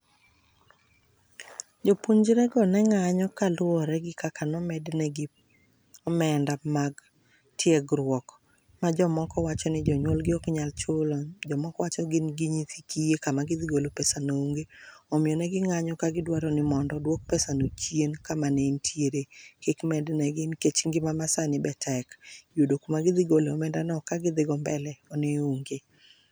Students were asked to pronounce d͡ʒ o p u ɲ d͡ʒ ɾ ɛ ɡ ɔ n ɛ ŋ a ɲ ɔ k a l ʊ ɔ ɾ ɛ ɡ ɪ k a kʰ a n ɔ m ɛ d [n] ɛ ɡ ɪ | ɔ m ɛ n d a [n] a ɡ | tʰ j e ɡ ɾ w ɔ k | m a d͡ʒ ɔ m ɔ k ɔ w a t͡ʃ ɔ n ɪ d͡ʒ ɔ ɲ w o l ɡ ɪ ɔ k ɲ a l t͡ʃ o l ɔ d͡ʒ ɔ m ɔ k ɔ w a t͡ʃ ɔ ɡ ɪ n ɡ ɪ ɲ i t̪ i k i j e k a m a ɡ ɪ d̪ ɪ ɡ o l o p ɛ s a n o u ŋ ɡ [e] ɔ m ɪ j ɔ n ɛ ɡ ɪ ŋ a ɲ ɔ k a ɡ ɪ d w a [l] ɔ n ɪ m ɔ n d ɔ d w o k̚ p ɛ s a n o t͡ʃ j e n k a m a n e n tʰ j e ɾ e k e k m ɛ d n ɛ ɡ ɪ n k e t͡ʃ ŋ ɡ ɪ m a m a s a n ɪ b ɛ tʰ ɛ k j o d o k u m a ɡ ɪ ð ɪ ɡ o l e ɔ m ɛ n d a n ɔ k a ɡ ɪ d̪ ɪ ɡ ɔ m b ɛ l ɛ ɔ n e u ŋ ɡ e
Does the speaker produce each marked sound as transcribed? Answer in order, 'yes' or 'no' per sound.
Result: yes, no, yes, no

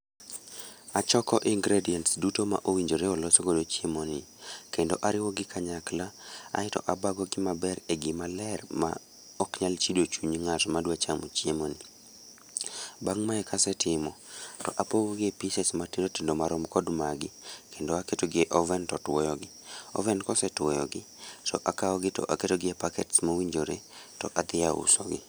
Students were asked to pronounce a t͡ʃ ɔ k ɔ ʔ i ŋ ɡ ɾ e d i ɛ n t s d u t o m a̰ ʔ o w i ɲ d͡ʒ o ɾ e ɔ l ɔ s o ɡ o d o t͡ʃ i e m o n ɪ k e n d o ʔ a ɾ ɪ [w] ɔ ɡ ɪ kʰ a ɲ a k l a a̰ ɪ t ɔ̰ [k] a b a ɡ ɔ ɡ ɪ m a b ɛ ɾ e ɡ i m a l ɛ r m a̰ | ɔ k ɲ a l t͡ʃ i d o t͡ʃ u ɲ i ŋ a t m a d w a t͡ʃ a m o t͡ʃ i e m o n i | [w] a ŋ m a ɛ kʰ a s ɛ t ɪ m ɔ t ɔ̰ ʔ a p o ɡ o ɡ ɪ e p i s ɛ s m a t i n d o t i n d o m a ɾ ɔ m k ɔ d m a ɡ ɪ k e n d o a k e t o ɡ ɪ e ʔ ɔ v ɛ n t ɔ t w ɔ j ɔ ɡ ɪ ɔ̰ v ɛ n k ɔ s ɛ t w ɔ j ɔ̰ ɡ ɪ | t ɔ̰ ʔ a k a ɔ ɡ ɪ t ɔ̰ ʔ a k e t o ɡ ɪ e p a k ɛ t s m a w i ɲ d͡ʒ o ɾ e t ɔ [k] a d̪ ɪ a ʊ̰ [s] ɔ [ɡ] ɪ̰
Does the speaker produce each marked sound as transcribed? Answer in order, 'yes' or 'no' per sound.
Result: yes, no, no, no, yes, yes

